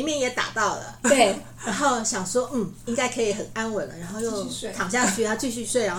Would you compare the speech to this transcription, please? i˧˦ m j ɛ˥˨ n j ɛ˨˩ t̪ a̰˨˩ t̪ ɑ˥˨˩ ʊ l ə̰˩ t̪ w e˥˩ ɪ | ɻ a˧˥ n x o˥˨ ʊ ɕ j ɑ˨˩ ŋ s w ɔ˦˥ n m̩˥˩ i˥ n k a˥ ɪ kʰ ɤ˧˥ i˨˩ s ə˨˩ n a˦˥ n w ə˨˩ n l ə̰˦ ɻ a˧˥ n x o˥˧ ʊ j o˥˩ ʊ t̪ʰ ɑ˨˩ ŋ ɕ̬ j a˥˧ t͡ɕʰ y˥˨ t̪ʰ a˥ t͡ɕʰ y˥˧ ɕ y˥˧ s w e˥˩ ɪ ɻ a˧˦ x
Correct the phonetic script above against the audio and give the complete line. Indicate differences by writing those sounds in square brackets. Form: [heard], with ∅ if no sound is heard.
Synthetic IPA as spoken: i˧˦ m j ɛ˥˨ n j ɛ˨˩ t̪ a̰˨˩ t̪ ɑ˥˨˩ ʊ l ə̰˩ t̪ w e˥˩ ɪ | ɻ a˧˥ n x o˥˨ ʊ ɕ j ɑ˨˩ ŋ s w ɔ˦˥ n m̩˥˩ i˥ [ŋ] k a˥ ɪ kʰ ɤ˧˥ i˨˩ [x] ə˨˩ n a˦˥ n w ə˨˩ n l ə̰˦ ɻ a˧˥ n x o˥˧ ʊ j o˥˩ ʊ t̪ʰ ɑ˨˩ ŋ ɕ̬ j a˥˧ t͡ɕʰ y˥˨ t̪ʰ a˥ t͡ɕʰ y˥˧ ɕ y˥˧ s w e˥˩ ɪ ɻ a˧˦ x